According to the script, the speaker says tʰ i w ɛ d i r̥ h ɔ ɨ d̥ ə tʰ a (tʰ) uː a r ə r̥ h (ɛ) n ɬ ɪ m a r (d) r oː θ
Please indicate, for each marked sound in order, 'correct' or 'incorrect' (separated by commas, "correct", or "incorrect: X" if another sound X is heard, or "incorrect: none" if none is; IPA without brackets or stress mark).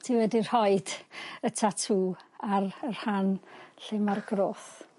correct, incorrect: a, incorrect: ɡ